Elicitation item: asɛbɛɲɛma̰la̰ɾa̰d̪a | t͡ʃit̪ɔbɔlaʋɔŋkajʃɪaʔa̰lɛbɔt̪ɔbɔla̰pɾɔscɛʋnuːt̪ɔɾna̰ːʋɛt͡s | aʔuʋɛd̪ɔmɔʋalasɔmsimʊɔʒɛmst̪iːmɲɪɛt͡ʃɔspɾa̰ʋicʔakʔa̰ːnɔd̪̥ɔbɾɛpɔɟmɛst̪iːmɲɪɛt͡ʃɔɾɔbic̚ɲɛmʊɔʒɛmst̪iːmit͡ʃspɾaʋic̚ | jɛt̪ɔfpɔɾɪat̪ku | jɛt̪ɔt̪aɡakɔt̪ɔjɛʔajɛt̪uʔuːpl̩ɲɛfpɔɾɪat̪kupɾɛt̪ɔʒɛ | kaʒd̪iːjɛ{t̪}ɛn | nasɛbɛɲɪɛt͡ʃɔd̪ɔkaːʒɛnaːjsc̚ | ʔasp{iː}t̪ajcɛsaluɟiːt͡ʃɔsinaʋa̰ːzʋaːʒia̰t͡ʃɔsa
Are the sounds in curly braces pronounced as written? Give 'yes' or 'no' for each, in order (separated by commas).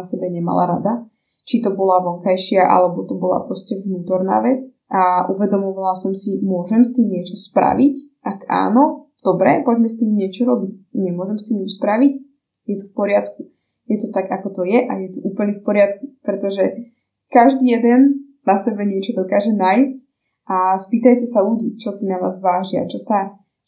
no, yes